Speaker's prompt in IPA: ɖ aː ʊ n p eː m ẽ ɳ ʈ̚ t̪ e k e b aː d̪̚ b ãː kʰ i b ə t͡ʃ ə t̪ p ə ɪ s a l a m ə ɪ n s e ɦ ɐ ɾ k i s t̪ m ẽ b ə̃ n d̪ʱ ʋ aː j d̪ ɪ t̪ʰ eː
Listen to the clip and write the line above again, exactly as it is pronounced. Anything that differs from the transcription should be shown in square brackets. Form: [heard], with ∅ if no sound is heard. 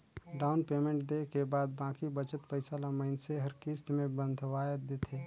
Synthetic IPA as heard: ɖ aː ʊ n p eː m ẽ ɳ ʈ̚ [d̪] e k e b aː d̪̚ b ãː [k] i b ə t͡ʃ ə t̪ p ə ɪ s a l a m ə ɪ n s e ɦ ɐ ɾ k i s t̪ m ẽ b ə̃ n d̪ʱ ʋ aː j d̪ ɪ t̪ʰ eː